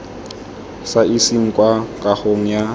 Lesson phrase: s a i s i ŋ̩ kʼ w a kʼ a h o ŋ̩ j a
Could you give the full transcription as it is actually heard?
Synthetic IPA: s a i s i ŋ̩ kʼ w a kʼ a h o ŋ̩ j a